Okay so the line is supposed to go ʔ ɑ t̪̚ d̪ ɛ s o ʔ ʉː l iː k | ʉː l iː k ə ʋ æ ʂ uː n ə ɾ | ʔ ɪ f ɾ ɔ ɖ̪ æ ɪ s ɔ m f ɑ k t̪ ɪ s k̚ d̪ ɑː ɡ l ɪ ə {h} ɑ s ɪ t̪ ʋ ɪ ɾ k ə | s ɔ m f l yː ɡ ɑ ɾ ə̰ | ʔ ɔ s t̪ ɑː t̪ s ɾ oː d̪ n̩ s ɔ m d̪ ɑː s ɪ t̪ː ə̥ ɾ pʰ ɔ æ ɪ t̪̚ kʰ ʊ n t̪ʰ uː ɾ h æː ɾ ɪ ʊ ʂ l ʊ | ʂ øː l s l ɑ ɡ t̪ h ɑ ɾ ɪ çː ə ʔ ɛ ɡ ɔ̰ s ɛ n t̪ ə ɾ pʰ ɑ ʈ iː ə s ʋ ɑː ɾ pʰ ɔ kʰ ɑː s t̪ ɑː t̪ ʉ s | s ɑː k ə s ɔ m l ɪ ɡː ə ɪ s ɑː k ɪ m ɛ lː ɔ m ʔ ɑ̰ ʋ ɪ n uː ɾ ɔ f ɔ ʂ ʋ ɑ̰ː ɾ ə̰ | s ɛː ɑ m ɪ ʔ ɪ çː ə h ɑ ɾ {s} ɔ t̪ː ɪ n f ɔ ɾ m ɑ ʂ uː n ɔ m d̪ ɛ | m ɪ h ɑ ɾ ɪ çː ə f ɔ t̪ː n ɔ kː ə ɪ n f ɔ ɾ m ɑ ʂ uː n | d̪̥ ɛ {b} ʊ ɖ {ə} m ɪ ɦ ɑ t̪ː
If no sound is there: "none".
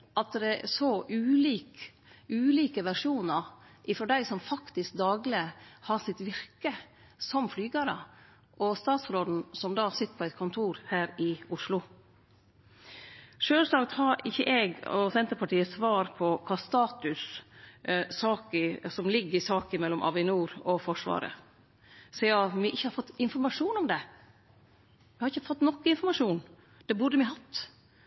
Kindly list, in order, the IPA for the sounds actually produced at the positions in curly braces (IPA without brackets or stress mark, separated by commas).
h, f, b, ə